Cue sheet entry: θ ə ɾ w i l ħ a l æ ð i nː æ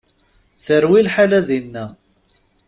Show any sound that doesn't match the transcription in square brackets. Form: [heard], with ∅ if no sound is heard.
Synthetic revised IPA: θ ə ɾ w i l ħ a l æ ð i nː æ